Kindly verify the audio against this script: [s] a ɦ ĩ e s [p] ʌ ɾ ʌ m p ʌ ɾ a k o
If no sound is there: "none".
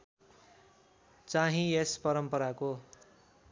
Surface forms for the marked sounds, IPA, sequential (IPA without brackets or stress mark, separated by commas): t͡s, p